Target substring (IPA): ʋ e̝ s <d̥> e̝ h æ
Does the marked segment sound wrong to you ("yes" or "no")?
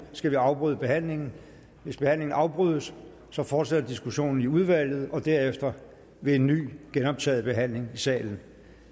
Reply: yes